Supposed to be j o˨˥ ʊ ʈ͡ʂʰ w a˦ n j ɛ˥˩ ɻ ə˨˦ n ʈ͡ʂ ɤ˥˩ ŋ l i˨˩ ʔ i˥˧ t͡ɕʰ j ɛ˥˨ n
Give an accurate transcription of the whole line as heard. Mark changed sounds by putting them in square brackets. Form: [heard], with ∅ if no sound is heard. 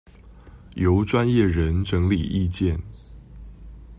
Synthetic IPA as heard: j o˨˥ ʊ [ʈ͡ʂ] w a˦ n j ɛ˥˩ ɻ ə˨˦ n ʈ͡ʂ [ɤ˧˥] ŋ l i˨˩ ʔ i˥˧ [t͡ɕ] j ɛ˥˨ n